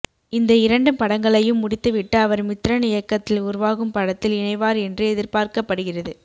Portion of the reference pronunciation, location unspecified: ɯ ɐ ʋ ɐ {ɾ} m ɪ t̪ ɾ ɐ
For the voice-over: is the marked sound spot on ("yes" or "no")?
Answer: yes